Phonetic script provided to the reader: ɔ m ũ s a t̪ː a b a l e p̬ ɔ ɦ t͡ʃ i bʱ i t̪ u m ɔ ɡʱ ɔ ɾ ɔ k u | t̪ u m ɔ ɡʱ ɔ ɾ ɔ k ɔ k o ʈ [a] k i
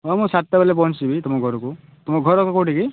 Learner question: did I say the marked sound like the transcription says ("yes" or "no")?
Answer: no